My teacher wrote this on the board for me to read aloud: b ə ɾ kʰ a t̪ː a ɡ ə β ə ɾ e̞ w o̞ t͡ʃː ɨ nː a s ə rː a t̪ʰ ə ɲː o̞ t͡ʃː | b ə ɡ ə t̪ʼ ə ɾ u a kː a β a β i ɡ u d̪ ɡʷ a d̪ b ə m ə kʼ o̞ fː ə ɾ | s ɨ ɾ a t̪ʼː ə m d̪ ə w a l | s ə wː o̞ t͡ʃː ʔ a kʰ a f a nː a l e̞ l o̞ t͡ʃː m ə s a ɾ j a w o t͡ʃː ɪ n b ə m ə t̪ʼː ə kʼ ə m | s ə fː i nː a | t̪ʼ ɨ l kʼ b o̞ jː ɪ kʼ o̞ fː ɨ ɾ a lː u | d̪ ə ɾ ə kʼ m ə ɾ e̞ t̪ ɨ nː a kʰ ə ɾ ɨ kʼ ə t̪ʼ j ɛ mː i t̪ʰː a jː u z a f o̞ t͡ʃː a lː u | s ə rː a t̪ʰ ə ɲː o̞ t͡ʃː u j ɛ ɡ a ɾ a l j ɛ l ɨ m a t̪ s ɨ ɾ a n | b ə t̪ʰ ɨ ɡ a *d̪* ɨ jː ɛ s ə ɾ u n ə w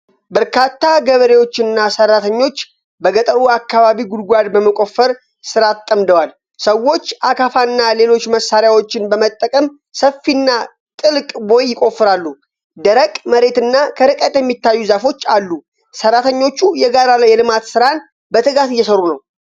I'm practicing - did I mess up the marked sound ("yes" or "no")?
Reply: yes